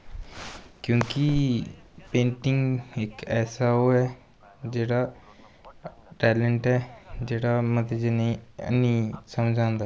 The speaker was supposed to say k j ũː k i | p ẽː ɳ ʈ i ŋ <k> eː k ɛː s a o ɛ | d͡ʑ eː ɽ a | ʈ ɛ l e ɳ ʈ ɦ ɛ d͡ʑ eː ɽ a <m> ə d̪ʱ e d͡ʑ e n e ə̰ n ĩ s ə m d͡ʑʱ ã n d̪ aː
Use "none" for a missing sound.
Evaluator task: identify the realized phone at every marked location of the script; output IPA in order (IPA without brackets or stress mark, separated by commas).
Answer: ɡ, m